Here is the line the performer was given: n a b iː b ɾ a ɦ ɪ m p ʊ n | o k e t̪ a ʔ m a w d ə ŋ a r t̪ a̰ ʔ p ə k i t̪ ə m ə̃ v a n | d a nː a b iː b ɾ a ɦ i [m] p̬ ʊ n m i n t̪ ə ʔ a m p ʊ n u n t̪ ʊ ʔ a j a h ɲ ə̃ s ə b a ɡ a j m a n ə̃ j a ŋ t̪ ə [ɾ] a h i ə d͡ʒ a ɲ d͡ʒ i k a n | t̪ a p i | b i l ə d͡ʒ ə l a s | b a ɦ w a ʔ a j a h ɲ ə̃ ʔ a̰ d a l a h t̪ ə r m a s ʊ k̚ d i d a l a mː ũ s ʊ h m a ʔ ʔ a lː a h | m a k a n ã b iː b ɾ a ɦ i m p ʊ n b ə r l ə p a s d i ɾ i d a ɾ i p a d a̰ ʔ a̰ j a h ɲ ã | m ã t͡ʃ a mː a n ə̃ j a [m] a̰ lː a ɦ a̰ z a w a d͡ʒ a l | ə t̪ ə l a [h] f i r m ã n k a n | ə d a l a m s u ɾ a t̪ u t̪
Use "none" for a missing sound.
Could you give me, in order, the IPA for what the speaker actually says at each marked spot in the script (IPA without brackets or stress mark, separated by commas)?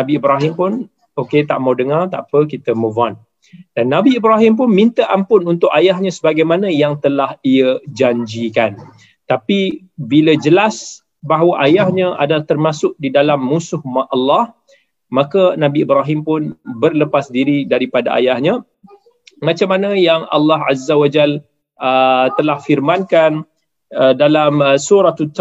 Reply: m, l, ŋ, h